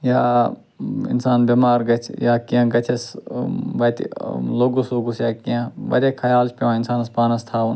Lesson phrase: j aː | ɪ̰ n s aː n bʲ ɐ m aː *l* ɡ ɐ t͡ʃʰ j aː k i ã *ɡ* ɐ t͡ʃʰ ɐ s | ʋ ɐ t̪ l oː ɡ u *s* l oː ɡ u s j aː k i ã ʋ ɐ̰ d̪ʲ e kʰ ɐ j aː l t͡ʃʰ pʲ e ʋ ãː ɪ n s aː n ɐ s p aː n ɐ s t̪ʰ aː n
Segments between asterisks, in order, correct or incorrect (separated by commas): incorrect, correct, correct